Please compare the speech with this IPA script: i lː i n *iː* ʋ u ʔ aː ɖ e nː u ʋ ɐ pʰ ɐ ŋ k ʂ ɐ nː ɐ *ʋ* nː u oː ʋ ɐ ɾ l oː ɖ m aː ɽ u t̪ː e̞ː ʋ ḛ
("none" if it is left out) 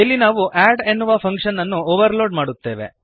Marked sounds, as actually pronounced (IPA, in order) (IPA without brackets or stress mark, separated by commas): aː, none